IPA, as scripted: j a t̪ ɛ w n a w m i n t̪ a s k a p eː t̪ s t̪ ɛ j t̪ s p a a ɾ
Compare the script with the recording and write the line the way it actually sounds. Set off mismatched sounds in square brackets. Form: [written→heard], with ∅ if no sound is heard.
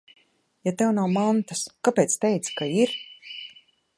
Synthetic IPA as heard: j a t̪ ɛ w n a w m [i→a] n t̪ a s k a p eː t̪ s t̪ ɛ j t̪ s [p→k] a [a→i] ɾ